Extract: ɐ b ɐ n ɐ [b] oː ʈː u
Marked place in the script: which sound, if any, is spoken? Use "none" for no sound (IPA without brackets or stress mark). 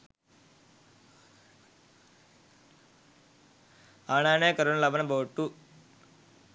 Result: b